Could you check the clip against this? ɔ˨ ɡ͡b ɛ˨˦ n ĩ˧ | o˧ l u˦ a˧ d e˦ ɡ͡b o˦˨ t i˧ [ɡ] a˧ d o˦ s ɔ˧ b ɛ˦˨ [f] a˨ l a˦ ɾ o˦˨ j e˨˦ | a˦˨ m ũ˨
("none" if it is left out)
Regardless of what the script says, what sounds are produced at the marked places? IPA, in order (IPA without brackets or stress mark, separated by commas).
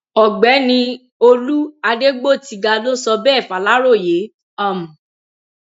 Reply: ɡ, f